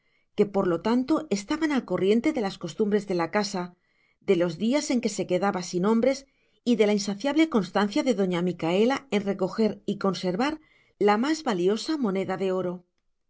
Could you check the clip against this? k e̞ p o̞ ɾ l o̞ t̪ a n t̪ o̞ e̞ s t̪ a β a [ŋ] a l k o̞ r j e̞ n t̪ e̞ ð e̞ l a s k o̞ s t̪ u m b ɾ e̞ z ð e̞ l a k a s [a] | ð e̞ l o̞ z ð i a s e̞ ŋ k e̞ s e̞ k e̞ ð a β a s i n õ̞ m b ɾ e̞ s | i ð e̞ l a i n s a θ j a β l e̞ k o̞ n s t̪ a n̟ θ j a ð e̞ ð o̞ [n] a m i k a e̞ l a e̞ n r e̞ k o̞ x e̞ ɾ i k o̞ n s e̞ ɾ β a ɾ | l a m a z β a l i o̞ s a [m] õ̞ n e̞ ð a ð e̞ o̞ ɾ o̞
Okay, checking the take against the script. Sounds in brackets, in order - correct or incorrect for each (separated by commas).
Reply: incorrect, correct, incorrect, correct